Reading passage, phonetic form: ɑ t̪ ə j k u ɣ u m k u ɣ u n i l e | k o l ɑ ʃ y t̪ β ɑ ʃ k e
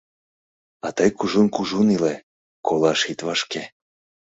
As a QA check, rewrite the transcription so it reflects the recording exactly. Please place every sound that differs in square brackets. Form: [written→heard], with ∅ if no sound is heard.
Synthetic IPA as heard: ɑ t̪ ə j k u [ɣ→ʒ] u [m→n] k u [ɣ→ʒ] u n i l e | k o l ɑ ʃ [y→i] t̪ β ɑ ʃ k e